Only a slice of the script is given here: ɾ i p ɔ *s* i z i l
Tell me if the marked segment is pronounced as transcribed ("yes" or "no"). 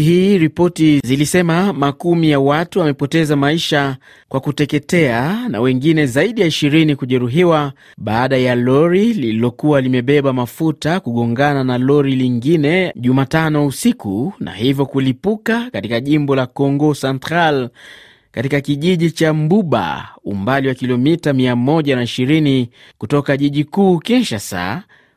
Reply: no